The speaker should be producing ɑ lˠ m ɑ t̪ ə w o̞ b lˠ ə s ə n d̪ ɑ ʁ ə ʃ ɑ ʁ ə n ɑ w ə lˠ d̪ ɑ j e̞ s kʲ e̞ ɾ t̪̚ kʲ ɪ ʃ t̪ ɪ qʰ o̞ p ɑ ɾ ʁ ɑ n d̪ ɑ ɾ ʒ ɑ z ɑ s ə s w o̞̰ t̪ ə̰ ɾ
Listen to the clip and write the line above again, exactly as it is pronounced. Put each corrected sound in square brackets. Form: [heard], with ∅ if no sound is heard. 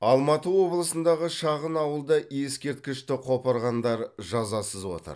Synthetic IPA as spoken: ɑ lˠ m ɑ t̪ ə w o̞ b lˠ ə s ə n d̪ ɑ ʁ ə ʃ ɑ ʁ ə n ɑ w ə lˠ d̪ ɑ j e̞ s kʲ e̞ ɾ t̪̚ kʲ ɪ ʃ t̪ ɪ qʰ o̞ p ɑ ɾ ʁ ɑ n d̪ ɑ ɾ ʒ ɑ z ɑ s ə [z] w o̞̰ t̪ ə̰ ɾ